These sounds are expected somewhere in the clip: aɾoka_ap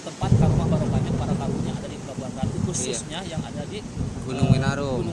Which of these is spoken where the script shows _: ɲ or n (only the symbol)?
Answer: ɲ